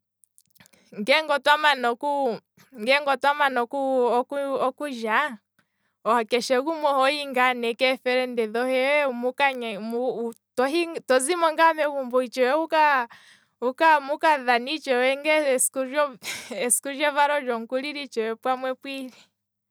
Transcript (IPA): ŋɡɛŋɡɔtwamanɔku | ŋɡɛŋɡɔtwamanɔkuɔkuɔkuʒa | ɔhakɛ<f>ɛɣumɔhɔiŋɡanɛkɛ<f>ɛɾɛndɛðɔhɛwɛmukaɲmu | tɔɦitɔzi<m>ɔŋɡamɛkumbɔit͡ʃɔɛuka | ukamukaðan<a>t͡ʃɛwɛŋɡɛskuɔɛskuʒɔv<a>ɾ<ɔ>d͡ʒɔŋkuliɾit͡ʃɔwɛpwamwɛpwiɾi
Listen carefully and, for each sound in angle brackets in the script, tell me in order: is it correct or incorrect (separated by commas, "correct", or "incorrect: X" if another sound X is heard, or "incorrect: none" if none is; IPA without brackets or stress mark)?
incorrect: ʃ, correct, correct, incorrect: i, correct, correct